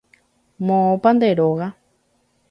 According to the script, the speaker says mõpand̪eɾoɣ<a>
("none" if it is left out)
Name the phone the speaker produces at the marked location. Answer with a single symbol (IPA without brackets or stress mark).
a